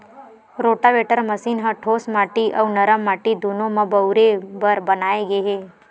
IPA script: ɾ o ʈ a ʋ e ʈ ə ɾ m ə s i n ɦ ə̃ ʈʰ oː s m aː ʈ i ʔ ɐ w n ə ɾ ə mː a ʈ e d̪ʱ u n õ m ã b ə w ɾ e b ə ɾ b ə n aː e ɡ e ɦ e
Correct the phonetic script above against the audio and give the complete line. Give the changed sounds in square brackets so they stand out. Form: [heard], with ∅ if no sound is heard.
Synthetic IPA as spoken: ɾ o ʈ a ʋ e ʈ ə ɾ m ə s i n ɦ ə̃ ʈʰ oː s m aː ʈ i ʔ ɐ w n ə ɾ ə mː a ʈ [i] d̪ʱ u n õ m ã b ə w ɾ e b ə ɾ b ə n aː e ɡ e ɦ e